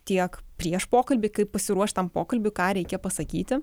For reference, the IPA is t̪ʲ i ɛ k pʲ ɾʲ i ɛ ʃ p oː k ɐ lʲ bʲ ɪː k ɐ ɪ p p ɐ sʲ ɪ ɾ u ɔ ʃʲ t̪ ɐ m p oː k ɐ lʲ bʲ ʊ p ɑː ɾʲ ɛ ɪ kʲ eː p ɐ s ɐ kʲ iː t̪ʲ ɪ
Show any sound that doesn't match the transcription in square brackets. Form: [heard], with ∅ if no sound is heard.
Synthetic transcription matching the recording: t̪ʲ i ɛ k pʲ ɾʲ i ɛ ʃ p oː k ɐ lʲ bʲ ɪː k ɐ ɪ p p ɐ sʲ ɪ ɾ u ɔ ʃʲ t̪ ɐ m p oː k ɐ lʲ bʲ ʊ [k] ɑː ɾʲ ɛ ɪ kʲ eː p ɐ s ɐ kʲ iː t̪ʲ ɪ